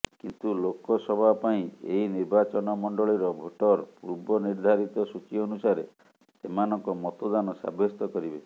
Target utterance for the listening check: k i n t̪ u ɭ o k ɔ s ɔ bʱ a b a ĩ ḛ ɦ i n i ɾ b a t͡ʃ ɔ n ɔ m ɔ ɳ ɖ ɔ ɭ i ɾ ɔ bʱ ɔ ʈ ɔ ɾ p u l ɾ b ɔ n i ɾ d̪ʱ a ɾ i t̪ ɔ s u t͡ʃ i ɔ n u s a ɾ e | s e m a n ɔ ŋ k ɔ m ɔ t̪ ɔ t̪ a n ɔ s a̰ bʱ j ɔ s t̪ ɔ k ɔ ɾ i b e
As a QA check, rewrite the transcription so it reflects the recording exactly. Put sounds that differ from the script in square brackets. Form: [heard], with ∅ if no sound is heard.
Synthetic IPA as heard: k i n t̪ u [l] o k ɔ s ɔ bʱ a [p] a ĩ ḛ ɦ i n i ɾ b a t͡ʃ ɔ n ɔ m ɔ ɳ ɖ ɔ ɭ i ɾ ɔ bʱ [o] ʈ ɔ ɾ p u [∅] ɾ b ɔ n i ɾ d̪ʱ a ɾ i t̪ ɔ s u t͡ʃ i ɔ n u s a ɾ e | s e m a n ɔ ŋ k ɔ m ɔ t̪ ɔ [d̪] a n ɔ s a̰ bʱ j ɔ s t̪ ɔ k ɔ ɾ i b e